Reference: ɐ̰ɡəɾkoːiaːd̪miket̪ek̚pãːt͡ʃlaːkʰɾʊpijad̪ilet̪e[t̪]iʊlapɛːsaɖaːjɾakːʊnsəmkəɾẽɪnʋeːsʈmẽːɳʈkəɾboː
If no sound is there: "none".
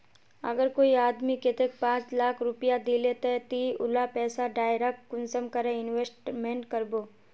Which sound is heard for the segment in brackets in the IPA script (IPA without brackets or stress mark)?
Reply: t̪